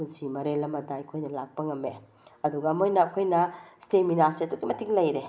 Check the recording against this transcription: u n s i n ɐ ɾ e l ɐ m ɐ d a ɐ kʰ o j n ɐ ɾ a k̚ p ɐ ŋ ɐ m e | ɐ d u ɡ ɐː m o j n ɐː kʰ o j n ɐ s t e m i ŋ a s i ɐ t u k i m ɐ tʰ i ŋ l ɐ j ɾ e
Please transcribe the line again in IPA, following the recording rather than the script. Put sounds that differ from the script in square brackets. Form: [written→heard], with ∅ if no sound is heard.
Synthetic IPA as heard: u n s i [n→m] ɐ ɾ e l ɐ m ɐ d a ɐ kʰ o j n ɐ [ɾ→l] a k̚ p ɐ ŋ ɐ m e | ɐ d u ɡ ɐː m o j n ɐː kʰ o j n ɐ s t e m i [ŋ→n] a s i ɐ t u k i m ɐ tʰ i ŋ l ɐ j ɾ e